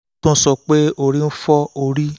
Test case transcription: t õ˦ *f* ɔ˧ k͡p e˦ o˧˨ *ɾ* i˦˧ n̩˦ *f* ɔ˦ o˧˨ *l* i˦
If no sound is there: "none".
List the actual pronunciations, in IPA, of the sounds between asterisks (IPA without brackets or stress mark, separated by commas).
s, ɾ, f, ɾ